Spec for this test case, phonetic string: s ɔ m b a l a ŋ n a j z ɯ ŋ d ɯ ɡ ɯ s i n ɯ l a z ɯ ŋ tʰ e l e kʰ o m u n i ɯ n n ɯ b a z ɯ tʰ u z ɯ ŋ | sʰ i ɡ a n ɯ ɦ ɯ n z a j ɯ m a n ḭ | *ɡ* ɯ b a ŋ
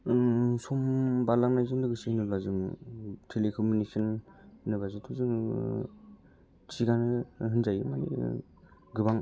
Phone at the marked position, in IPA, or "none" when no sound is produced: ɡ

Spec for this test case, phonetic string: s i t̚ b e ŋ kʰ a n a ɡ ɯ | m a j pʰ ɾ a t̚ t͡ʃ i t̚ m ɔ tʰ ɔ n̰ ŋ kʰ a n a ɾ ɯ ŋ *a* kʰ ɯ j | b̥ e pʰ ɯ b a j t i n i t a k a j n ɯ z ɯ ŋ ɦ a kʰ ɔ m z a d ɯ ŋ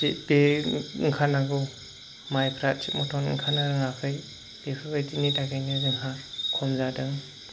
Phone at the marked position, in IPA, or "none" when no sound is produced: a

